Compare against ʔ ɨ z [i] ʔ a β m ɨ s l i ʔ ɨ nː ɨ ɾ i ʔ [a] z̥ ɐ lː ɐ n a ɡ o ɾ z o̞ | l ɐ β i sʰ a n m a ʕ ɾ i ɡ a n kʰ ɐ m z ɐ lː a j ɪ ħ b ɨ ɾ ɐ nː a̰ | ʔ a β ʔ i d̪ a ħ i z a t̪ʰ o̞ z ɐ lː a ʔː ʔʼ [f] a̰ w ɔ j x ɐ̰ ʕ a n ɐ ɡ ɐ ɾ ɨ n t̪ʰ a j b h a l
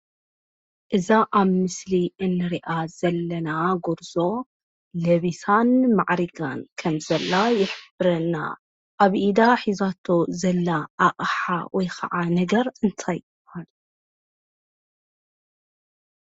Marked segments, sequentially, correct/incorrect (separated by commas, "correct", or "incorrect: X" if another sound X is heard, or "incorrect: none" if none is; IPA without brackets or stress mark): incorrect: a, correct, incorrect: ħ